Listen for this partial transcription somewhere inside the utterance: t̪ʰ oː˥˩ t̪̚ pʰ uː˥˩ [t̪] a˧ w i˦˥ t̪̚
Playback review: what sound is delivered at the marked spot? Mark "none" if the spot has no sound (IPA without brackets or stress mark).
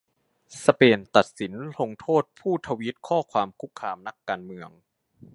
t̪ʰ